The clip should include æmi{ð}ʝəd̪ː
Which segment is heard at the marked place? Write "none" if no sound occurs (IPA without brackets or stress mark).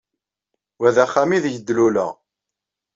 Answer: ð